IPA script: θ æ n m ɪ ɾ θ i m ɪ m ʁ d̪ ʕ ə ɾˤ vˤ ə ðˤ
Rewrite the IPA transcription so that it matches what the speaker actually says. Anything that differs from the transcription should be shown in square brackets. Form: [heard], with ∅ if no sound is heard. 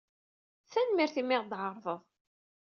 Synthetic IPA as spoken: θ æ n m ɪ ɾ θ i m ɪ [∅] ʁ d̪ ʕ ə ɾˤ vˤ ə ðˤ